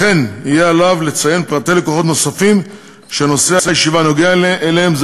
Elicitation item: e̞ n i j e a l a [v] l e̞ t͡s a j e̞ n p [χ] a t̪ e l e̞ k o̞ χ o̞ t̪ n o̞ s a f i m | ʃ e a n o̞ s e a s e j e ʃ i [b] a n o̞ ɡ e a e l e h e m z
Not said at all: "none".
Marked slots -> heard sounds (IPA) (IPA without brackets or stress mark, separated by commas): v, ʁ, v